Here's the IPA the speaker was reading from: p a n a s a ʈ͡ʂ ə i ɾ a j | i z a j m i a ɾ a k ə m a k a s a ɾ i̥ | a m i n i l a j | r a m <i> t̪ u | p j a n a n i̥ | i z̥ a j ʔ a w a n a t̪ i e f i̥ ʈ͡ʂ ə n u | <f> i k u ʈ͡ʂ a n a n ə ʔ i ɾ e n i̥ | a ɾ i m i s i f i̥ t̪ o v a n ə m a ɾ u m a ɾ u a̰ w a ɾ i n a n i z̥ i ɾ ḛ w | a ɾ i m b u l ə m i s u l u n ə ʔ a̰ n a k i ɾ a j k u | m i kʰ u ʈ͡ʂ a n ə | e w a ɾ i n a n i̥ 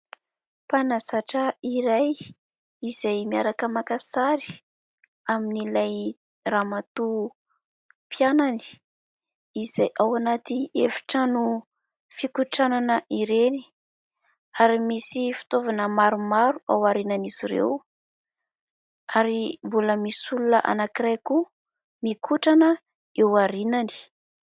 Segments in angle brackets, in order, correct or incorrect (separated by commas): incorrect, correct